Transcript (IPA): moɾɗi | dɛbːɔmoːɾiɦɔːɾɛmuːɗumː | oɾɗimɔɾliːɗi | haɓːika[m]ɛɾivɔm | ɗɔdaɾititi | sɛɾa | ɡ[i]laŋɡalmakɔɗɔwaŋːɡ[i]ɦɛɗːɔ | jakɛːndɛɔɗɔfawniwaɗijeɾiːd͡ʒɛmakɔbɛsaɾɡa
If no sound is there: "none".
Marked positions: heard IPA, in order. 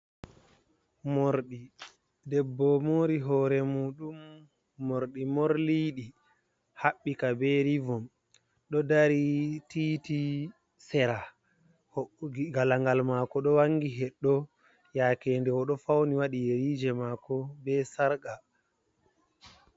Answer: b, a, i

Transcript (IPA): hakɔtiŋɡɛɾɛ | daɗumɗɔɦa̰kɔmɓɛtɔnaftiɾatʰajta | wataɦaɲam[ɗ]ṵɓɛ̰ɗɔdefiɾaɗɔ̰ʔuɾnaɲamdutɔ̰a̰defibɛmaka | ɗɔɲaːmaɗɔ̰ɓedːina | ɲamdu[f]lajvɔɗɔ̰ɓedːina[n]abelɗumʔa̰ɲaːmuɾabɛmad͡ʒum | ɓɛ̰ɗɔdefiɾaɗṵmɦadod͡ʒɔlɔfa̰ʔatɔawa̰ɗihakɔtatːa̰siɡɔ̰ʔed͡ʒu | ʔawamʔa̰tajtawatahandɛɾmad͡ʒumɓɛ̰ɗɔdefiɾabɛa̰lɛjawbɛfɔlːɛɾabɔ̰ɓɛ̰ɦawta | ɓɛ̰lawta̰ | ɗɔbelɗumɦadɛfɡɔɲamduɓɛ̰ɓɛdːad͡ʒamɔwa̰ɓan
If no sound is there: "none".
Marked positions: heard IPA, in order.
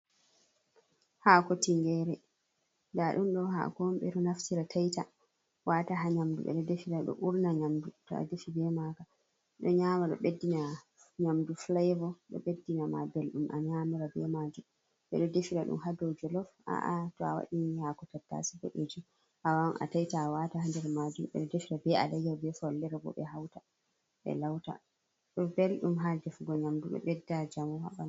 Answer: d, f, m

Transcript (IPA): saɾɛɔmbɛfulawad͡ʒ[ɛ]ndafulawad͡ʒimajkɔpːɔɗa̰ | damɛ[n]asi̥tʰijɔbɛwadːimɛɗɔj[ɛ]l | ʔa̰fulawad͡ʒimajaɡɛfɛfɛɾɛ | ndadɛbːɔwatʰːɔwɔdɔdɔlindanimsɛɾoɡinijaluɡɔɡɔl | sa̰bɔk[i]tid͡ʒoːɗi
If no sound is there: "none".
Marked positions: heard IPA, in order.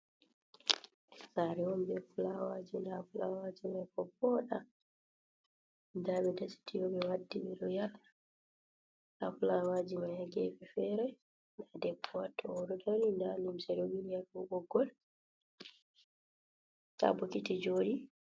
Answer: i, d, a, i

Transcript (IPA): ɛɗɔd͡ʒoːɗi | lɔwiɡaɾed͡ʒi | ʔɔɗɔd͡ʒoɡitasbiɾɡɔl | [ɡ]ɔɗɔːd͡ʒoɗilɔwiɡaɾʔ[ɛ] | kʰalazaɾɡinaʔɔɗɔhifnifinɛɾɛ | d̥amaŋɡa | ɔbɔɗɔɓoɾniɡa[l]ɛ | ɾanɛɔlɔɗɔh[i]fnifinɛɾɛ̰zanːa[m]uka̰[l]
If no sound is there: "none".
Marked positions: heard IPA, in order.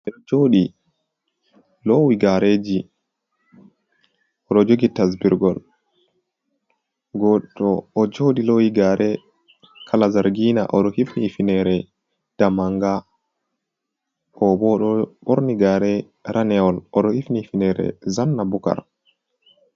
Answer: ɡ, ɛ, ɾ, i, b, ɾ

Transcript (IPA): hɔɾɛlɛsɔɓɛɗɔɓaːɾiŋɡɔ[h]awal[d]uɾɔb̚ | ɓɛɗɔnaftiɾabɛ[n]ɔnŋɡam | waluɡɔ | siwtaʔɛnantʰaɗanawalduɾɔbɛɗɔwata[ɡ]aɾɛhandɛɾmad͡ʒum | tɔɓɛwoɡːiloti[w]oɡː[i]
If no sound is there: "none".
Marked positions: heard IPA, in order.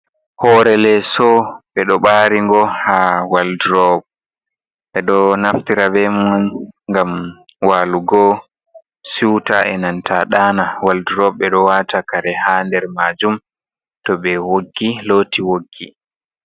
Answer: h, d, m, k, w, i

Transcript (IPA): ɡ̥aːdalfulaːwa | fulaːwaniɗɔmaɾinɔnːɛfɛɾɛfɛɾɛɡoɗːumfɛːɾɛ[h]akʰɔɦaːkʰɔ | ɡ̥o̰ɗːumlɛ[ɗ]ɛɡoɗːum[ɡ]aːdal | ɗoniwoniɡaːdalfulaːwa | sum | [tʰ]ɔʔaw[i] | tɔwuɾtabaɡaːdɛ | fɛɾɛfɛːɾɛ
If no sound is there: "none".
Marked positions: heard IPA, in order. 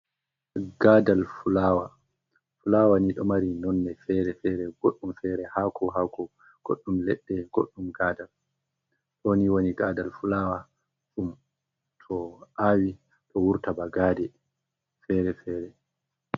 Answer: h, ɗː, ɡ, tʰ, i

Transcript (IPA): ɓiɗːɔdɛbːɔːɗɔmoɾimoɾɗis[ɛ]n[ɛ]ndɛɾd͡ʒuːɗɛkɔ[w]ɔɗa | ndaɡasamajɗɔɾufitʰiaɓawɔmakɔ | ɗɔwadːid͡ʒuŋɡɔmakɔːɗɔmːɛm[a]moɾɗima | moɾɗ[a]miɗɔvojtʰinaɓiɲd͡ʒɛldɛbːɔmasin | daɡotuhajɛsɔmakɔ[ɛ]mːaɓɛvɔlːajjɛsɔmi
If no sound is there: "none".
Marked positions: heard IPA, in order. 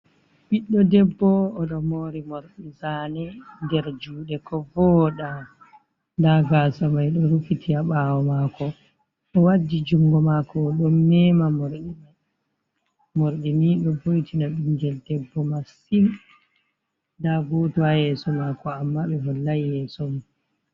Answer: a, ɛ, v, a, i, a

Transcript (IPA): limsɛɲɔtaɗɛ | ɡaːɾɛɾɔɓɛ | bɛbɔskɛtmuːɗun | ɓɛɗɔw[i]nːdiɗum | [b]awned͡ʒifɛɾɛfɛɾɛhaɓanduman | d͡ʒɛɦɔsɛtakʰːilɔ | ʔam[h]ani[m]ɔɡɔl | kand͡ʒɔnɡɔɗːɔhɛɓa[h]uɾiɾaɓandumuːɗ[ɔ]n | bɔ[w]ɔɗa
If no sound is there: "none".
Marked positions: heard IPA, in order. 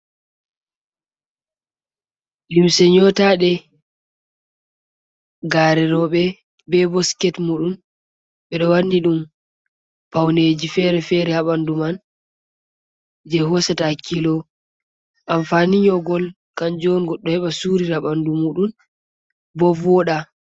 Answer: a, p, f, ɲ, s, u, v

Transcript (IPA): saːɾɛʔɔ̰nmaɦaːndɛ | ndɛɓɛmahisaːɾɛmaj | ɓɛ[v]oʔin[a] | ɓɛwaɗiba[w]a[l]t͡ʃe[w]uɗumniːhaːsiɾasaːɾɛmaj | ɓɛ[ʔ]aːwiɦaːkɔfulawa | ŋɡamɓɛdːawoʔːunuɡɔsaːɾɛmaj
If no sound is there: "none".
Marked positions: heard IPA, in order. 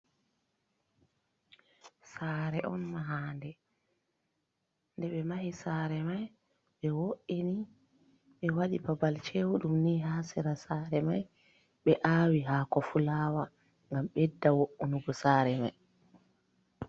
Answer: w, i, b, l, w, ʔ

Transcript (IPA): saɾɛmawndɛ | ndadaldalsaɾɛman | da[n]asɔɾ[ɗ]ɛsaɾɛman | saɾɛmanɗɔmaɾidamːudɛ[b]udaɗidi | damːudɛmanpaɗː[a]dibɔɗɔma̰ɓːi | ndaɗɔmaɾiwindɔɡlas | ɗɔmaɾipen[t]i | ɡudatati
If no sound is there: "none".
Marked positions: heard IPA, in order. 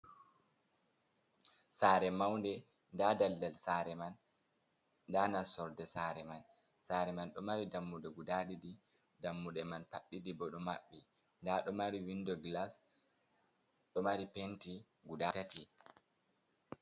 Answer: n, d, ɡ, i, t

